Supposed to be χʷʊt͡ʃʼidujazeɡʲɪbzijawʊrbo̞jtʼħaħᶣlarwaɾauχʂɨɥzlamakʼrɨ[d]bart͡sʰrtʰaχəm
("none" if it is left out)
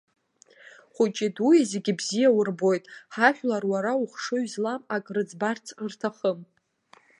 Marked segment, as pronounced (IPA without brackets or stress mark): d͡z